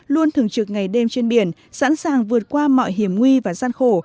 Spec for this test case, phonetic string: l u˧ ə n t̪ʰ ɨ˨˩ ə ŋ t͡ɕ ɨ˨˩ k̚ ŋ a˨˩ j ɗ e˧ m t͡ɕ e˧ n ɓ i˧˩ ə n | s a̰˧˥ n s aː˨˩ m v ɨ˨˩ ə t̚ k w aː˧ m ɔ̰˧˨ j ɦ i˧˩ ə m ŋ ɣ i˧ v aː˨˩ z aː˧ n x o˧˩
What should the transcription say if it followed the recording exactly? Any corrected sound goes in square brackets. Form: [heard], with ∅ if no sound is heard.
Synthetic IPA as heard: l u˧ ə n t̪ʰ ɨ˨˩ ə ŋ t͡ɕ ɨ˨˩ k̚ ŋ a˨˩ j ɗ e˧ m t͡ɕ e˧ n ɓ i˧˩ ə n | s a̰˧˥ n s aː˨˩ [ŋ] v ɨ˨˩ ə t̚ k w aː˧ m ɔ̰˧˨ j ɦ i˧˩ ə m ŋ [w] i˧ v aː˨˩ z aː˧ n x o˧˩